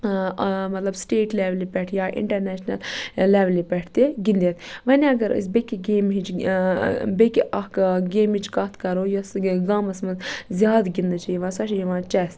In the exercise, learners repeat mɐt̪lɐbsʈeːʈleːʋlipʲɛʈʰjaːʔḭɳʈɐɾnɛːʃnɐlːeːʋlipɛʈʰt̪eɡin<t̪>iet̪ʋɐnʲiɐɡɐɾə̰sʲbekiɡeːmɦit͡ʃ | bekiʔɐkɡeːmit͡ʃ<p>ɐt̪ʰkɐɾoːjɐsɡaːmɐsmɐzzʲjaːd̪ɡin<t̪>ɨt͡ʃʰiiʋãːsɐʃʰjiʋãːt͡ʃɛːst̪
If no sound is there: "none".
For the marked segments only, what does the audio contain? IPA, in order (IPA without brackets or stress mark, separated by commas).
d̪, k, d̪